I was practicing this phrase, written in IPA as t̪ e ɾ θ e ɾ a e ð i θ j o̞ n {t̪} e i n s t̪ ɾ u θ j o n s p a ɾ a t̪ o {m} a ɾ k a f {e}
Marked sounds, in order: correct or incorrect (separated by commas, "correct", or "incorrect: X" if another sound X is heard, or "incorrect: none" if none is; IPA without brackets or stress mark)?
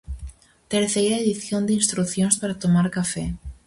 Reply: incorrect: d̪, correct, correct